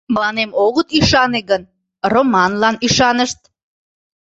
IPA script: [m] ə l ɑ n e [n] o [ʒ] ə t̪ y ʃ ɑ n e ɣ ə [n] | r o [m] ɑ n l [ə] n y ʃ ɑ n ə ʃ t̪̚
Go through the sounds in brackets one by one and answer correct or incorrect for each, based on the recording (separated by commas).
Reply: correct, incorrect, incorrect, correct, correct, incorrect